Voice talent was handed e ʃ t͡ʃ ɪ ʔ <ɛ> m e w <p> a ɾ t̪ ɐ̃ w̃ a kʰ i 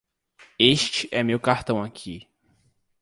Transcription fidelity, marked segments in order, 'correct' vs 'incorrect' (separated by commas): correct, incorrect